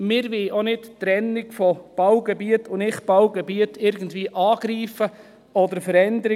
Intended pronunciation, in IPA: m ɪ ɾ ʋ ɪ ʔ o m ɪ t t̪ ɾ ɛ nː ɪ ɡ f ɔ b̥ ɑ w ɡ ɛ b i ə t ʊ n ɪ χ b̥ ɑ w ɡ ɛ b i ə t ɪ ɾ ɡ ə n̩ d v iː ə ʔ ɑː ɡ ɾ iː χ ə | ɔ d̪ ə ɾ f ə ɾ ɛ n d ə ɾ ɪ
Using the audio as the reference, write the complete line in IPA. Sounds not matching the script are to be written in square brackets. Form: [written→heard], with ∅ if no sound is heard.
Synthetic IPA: m ɪ ɾ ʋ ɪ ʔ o [m→n] ɪ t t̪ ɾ ɛ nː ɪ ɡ f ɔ b̥ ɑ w ɡ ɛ b i ə t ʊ n ɪ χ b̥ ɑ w ɡ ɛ b i ə t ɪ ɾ ɡ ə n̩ d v iː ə ʔ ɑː ɡ ɾ iː [χ→f] ə | ɔ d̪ ə ɾ f ə ɾ ɛ n d ə ɾ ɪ